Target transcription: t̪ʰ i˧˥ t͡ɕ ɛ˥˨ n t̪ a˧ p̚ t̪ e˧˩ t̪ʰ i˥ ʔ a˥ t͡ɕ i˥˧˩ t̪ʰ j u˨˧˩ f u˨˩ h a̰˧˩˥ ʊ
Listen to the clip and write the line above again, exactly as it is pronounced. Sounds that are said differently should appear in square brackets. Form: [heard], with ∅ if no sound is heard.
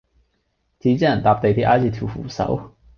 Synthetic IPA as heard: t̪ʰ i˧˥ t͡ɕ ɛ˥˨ n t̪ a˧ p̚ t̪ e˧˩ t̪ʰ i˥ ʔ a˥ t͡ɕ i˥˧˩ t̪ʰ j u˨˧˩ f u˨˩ [s] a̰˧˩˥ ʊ